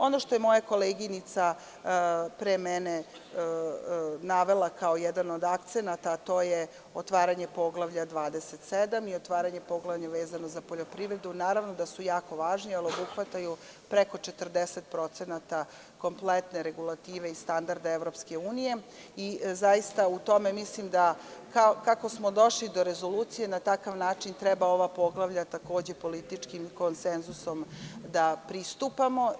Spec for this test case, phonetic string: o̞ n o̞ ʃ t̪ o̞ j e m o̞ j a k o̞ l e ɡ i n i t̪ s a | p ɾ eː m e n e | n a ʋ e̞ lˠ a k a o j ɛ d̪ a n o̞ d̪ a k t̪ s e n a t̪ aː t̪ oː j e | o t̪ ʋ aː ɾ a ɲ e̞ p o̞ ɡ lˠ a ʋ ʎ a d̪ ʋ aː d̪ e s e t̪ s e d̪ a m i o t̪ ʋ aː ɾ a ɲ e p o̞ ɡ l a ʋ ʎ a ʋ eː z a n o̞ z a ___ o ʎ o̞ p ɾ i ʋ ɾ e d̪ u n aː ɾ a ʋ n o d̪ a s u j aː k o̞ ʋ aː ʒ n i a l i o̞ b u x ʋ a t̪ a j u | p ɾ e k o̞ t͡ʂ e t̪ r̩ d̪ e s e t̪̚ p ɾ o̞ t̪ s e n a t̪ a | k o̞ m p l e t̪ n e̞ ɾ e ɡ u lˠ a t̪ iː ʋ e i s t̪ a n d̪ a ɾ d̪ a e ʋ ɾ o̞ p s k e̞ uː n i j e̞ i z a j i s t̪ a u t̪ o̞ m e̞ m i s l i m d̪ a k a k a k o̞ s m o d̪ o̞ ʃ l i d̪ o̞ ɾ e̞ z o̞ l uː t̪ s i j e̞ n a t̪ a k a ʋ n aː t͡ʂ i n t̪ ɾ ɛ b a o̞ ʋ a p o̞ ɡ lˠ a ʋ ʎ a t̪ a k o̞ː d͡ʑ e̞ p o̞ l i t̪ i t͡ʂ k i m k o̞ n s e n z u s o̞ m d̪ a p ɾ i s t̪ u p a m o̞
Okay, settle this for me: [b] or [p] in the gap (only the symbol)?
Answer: p